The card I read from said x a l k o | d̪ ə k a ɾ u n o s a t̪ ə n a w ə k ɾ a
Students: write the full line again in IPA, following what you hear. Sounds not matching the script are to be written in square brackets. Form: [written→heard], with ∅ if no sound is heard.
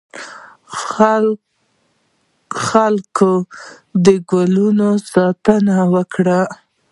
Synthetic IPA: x a l k o | d̪ ə [k→ɡ] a [ɾ→l] u n o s [a→ɑ] t̪ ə n a w ə k [ɾ→ɽ] a